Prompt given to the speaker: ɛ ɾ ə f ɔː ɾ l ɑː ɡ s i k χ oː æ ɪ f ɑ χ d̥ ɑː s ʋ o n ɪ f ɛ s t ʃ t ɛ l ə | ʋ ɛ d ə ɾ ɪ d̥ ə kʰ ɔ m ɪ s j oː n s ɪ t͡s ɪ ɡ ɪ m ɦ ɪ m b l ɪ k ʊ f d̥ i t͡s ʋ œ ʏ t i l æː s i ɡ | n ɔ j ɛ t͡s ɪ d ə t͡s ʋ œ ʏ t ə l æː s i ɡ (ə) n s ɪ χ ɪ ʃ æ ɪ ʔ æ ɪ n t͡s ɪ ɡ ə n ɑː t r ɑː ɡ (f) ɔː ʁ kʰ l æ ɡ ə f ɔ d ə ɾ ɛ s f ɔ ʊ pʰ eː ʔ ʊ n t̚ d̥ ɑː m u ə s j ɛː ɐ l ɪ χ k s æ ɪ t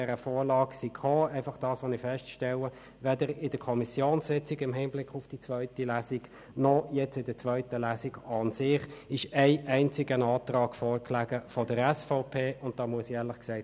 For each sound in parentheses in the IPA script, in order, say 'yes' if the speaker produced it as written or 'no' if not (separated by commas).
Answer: no, yes